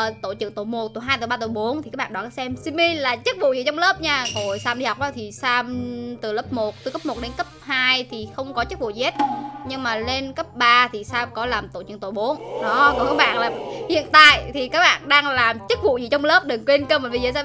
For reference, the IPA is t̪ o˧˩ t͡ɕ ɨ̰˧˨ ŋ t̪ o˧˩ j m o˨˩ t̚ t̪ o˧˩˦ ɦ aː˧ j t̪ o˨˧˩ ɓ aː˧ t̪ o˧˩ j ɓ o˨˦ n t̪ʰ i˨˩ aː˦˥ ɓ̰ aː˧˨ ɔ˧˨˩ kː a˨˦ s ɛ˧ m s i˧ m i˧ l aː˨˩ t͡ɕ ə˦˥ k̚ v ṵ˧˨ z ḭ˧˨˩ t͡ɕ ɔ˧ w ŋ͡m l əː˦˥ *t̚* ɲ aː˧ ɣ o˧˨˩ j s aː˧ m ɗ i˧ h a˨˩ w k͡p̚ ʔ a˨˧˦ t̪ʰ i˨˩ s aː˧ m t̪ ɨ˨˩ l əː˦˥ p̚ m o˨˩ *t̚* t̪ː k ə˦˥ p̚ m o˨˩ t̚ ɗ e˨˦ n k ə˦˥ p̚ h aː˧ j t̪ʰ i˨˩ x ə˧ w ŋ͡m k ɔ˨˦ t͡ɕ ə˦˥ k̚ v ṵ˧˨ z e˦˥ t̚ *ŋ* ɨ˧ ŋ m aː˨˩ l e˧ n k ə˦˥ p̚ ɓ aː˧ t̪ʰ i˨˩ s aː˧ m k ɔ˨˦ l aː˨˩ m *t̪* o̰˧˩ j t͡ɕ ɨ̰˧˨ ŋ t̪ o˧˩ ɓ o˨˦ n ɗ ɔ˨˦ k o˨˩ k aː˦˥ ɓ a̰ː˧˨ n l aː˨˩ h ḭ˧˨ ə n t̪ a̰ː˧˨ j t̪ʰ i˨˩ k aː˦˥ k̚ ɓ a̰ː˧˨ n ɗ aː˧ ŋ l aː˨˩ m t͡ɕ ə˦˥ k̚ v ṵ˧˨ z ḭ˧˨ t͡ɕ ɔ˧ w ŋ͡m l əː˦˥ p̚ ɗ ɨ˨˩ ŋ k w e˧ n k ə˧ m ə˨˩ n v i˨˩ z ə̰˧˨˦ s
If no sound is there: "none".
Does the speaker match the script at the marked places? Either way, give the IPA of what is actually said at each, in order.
p̚, t̚, ɲ, t̪

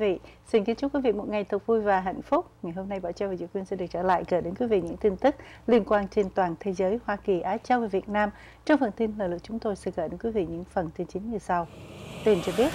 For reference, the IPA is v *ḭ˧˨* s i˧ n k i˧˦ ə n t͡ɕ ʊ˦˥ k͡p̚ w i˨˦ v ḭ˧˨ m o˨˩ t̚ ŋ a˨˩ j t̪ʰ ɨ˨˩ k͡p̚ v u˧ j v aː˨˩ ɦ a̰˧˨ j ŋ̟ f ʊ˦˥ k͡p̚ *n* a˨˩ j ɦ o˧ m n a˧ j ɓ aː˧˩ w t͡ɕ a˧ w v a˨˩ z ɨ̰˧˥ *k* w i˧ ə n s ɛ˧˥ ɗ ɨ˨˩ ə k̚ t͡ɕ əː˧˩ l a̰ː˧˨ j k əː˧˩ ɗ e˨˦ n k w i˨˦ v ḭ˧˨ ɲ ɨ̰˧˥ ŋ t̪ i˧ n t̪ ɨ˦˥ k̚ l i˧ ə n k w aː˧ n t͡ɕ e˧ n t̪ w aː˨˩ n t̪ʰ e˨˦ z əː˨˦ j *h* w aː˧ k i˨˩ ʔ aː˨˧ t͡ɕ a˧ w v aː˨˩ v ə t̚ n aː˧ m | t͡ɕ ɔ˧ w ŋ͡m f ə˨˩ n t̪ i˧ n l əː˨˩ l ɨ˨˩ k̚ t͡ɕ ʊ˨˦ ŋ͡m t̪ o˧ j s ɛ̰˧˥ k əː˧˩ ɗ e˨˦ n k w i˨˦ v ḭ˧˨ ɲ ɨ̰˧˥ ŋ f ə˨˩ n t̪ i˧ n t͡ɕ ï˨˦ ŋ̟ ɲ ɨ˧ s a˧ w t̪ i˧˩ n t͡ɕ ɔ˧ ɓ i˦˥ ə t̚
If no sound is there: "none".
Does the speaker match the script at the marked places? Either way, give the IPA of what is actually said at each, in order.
ḭ˧˨, ŋ, k, h

